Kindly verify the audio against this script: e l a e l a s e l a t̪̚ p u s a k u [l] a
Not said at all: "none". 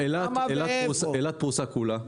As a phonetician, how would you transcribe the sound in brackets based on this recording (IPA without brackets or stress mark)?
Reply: l